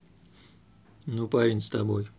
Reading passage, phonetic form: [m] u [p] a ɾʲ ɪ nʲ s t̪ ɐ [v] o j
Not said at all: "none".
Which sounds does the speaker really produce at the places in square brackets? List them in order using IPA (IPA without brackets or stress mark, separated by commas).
n, p, b